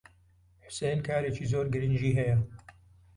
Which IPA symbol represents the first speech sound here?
ħ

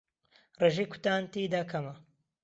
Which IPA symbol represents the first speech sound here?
r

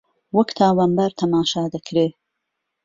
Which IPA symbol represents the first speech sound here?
w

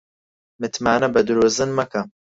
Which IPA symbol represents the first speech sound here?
m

